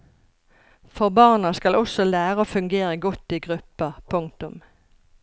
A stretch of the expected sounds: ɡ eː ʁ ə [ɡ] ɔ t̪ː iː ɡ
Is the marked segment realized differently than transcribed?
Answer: no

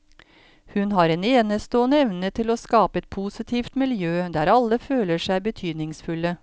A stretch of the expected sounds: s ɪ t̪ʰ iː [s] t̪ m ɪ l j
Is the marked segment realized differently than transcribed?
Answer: yes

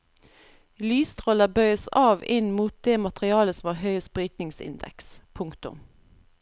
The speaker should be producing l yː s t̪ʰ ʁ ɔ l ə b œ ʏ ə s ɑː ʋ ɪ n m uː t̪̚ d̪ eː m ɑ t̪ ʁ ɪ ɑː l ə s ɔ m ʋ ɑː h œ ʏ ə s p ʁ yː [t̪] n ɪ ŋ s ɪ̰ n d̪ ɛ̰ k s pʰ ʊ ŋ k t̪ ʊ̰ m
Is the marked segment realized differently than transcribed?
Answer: no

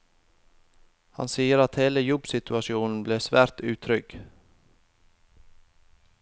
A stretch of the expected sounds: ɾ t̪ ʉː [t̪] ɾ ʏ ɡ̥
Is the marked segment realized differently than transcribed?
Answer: yes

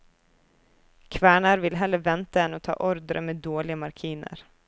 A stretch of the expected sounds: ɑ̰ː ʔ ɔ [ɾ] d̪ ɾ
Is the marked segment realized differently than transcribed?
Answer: no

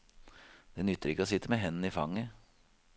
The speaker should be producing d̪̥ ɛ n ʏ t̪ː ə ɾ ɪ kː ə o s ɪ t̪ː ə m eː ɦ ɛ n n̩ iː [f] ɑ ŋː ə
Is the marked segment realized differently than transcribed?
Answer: no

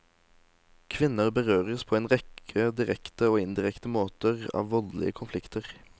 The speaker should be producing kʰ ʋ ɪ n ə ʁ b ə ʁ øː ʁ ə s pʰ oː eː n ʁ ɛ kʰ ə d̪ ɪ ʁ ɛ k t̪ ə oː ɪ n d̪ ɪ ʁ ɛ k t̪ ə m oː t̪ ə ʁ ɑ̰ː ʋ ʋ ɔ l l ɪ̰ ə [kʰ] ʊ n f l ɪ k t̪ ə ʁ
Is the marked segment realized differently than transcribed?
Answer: no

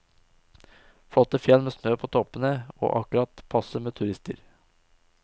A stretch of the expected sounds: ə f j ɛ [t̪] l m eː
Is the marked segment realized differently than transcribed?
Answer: yes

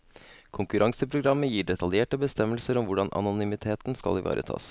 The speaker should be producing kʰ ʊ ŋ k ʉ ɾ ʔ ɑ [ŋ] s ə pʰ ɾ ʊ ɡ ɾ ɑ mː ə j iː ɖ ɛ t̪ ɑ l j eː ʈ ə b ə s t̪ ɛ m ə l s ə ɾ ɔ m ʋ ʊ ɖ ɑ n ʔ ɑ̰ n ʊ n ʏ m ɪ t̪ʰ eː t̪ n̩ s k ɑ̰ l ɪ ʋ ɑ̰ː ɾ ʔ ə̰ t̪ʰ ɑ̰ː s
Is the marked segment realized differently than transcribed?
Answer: no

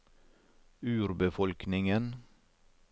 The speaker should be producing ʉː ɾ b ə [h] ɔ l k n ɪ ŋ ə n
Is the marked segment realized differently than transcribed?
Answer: yes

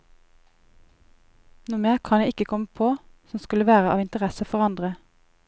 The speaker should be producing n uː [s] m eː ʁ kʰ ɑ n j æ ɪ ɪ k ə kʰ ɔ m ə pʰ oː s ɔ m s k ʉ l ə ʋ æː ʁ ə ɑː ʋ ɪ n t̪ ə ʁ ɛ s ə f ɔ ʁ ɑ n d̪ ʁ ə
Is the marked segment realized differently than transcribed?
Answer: yes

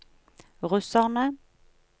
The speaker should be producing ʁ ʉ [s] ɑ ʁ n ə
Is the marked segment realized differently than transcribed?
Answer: no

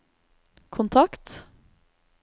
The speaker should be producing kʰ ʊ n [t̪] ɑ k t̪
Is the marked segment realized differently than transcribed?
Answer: yes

